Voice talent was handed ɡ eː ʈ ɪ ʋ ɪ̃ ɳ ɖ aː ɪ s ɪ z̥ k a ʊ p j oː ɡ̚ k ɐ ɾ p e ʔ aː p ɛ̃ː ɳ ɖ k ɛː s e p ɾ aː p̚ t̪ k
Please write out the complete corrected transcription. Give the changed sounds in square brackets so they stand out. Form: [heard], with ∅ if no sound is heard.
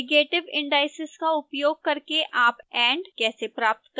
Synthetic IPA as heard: ɡ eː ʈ ɪ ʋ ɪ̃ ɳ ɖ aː ɪ s ɪ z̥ k a ʊ p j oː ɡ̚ k ɐ ɾ [k] e ʔ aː p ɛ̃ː ɳ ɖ k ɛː s e p ɾ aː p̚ t̪ k